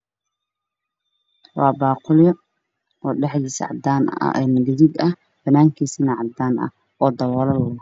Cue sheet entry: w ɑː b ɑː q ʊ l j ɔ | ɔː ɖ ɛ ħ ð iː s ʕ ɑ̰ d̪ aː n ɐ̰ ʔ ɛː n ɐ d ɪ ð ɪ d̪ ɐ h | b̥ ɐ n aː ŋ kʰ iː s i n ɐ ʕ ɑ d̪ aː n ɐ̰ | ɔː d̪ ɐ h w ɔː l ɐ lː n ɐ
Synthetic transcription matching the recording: w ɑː b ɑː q ʊ l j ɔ | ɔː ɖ ɛ ħ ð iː s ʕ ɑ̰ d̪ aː n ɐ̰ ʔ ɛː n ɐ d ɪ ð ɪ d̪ ɐ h | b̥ ɐ n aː ŋ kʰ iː s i n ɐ ʕ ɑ d̪ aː n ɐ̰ | ɔː d̪ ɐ w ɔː l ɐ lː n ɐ